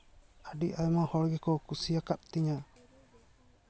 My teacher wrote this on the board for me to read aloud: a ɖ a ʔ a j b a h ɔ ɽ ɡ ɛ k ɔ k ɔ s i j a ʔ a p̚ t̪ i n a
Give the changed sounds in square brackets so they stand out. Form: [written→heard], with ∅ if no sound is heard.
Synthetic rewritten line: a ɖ [a→i] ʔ a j [b→m] a h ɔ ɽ ɡ ɛ k ɔ k [ɔ→u] s i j a [ʔ→k] a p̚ t̪ i [n→ɲ] a